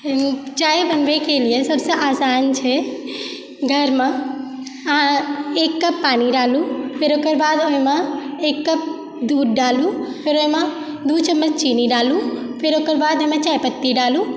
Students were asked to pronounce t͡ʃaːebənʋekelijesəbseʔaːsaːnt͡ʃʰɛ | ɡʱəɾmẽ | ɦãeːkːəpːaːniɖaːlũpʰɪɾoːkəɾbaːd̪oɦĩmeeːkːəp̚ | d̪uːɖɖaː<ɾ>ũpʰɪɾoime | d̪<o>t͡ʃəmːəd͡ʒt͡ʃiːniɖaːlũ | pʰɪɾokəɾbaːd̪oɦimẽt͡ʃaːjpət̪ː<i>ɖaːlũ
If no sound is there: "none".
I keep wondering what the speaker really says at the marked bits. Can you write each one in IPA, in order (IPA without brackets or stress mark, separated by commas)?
l, u, i